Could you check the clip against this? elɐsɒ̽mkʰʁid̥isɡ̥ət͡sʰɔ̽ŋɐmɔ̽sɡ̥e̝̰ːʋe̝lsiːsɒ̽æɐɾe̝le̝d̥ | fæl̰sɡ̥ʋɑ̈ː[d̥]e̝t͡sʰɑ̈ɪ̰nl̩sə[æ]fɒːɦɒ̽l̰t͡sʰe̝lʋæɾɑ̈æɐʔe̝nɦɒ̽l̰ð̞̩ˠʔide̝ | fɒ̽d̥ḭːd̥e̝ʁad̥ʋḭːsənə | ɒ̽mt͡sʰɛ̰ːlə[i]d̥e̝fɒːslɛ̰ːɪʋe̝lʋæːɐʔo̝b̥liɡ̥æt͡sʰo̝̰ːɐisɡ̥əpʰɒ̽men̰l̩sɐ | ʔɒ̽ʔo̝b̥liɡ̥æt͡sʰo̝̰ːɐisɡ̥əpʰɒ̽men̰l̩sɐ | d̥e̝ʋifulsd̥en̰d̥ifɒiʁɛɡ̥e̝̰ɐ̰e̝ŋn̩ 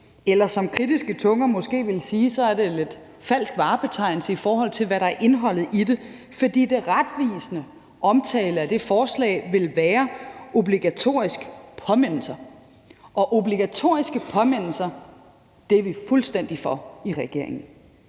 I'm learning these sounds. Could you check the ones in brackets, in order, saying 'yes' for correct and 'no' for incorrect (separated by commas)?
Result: no, no, no